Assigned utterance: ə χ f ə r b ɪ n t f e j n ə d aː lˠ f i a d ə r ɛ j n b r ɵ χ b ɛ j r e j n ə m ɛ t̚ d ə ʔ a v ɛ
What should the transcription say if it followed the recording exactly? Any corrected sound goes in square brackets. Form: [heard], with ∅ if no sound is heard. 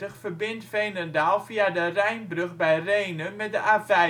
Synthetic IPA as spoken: ə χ f ə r b ɪ n t f e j n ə d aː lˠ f i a d ə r ɛ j n b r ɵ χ b ɛ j r e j n ə m ɛ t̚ d ə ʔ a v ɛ